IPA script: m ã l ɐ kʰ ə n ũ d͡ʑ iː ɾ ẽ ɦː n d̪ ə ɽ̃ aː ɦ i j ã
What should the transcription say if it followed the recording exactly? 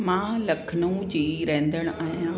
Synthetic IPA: m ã l ɐ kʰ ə n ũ d͡ʑ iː ɾ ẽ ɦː n d̪ ə ɽ̃ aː ɦ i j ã